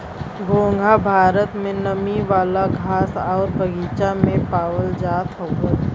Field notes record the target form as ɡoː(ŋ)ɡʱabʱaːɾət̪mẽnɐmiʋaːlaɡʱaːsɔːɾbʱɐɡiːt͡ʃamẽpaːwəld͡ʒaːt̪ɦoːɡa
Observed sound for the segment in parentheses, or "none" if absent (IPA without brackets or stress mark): ŋ